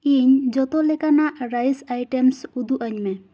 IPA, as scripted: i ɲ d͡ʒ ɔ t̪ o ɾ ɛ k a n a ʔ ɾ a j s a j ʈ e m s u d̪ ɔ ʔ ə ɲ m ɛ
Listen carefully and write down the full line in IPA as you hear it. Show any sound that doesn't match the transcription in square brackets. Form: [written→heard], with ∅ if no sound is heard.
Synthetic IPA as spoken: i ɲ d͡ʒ ɔ t̪ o [ɾ→l] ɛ k a n a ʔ ɾ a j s a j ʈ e m s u d̪ [ɔ→u] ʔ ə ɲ m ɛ